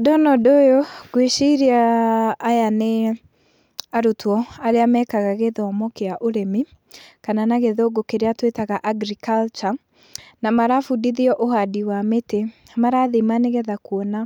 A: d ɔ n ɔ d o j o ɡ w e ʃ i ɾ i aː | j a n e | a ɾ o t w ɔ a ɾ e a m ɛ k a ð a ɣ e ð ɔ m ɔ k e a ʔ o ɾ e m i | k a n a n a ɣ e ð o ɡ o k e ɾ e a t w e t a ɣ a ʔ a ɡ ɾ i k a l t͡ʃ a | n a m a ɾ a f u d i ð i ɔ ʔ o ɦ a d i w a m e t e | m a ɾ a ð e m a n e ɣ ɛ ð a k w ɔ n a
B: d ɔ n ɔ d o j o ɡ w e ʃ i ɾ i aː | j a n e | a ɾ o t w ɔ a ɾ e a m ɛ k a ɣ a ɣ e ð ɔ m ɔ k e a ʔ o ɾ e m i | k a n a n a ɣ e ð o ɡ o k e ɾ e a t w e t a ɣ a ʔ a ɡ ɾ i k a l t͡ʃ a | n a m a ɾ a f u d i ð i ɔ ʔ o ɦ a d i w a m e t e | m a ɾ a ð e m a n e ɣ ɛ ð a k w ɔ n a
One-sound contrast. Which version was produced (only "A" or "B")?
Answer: B